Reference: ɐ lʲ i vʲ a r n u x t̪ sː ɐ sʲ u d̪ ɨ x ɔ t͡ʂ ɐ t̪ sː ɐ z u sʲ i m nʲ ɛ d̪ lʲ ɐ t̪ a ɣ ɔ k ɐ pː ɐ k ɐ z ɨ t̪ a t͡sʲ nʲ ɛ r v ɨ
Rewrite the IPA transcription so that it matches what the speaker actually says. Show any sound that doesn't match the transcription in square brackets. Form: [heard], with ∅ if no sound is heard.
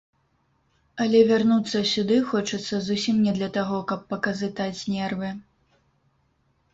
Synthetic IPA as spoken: ɐ lʲ [ɛ] vʲ a r n u [∅] t̪ sː ɐ sʲ u d̪ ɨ x ɔ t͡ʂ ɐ t̪ sː ɐ z u sʲ i m nʲ ɛ d̪ lʲ ɐ t̪ a ɣ ɔ k ɐ pː ɐ k ɐ z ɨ t̪ a t͡sʲ nʲ ɛ r v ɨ